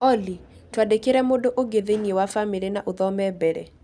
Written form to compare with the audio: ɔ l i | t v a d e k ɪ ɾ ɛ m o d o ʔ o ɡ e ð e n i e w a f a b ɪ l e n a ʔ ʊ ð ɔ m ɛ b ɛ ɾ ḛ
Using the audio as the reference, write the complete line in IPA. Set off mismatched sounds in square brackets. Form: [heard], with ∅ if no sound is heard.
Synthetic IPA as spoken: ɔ l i | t [w] a d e k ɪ ɾ ɛ m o d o ʔ o ɡ e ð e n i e w a f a [m] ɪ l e n a ʔ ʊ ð ɔ m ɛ b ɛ ɾ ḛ

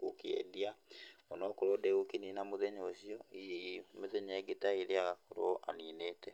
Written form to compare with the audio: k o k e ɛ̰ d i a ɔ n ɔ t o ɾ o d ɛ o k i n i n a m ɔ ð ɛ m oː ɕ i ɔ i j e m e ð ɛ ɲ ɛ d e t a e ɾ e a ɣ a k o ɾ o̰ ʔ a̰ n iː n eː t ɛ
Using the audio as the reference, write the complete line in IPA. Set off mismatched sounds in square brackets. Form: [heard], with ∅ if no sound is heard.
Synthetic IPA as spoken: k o k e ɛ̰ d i a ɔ n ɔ [k] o ɾ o d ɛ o k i n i n a m [o] ð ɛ [ɲ] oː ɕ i ɔ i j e m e ð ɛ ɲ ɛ [ɡ] e t a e ɾ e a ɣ a k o ɾ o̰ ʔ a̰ n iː n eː t ɛ

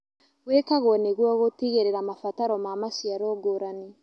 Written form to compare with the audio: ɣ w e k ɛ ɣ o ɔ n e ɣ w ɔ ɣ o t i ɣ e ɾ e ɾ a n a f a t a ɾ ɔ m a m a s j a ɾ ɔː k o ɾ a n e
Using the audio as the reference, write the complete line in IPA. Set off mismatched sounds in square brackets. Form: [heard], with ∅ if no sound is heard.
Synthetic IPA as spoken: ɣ w e k [a] ɣ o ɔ n e ɣ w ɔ ɣ o t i ɣ e ɾ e ɾ a [m] a f a t a ɾ ɔ m a m a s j a ɾ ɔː [ɡ] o ɾ a n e

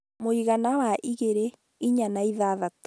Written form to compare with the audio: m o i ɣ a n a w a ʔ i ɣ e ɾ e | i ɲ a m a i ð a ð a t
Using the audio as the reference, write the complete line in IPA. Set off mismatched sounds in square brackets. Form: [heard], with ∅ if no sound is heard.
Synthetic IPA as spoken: m o i ɣ a n a w a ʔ i ɣ e ɾ e | i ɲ a [n] a i ð a ð a t

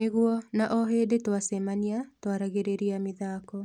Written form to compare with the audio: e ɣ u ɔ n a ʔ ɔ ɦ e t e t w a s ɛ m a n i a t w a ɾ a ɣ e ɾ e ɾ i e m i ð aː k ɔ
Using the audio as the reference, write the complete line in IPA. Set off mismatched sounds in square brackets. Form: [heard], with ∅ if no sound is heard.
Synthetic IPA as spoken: e ɣ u ɔ n a ʔ ɔ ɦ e [d] e t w a s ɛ m a n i a t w a ɾ a ɣ e ɾ e ɾ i [a] m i ð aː k ɔ

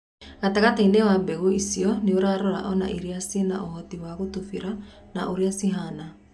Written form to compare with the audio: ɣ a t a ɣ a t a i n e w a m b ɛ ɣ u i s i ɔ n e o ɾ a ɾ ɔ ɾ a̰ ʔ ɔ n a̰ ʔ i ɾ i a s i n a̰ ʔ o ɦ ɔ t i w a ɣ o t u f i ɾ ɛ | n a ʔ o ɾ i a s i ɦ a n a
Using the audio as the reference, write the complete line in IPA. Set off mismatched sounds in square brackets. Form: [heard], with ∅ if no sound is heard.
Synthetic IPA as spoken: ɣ a t a ɣ a t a i n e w a m b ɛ ɣ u i s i ɔ n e o ɾ a ɾ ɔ ɾ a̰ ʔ ɔ n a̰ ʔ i ɾ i a s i n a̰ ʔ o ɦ ɔ t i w a ɣ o t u f i ɾ [a] | n a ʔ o ɾ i a s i ɦ a n a

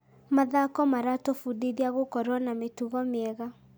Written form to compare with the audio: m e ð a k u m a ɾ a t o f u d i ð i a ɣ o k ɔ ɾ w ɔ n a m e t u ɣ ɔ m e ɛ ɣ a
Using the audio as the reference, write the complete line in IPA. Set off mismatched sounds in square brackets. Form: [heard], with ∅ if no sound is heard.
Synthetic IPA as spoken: m [a] ð a k [ɔ] m a ɾ a t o f u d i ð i a ɣ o k ɔ ɾ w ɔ n a m e t u ɣ ɔ m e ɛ ɣ a

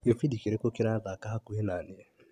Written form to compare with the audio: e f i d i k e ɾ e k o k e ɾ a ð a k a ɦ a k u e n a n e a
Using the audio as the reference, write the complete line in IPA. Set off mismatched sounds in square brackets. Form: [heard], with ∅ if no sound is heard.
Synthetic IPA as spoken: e f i d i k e ɾ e k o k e ɾ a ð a k a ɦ a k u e n a n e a

